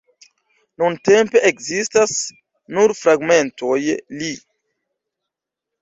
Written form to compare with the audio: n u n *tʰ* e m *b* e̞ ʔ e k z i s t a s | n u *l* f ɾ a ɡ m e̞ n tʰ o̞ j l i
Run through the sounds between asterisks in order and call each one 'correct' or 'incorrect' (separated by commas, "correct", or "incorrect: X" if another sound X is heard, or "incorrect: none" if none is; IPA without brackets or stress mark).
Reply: incorrect: t, incorrect: p, incorrect: ɾ